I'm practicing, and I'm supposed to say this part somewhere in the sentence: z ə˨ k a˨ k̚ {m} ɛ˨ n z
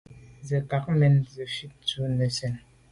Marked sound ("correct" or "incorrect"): correct